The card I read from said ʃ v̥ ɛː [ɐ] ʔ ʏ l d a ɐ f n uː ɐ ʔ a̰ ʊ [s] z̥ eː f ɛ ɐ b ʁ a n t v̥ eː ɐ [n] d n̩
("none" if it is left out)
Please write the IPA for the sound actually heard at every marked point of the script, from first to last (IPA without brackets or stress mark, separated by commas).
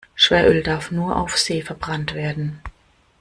ɐ, f, none